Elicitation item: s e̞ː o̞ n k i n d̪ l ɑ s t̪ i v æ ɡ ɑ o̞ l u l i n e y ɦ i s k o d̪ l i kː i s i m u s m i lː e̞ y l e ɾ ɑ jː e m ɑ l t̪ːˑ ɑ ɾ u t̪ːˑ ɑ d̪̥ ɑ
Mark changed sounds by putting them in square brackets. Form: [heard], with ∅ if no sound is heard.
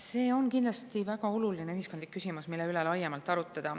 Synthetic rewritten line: s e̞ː o̞ n k i n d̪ l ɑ s t̪ i v æ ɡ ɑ o̞ l u l i n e y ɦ i s k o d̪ l i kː [y] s i m u s m i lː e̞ y l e [l] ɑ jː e m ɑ l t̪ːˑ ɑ ɾ u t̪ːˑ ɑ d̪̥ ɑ